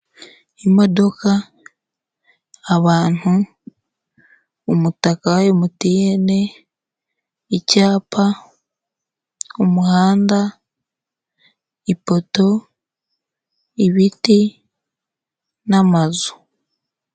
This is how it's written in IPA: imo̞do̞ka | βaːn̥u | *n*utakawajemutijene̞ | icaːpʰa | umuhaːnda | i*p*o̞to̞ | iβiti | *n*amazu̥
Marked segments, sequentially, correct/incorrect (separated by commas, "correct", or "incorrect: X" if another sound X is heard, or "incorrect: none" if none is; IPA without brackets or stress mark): incorrect: m, correct, correct